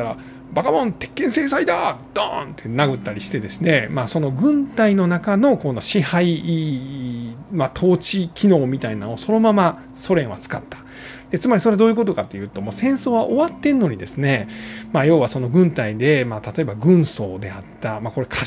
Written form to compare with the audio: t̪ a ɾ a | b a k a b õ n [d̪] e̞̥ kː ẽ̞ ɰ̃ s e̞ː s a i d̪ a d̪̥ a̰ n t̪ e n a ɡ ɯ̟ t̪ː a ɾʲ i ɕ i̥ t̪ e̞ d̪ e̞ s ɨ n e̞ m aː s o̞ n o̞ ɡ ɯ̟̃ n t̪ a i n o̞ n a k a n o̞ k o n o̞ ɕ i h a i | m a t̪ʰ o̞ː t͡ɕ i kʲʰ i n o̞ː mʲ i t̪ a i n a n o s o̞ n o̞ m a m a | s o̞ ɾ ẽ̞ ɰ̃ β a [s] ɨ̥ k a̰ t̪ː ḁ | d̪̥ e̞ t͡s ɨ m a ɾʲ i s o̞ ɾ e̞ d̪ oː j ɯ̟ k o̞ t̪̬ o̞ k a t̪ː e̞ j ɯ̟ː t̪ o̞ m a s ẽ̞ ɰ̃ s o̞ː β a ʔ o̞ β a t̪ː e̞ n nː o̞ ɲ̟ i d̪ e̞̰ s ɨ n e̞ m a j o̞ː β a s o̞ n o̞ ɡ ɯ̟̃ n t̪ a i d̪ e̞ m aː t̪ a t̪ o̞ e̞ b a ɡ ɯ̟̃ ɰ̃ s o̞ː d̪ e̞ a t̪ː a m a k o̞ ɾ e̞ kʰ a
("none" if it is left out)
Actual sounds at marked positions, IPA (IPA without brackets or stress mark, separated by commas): t̪, t͡s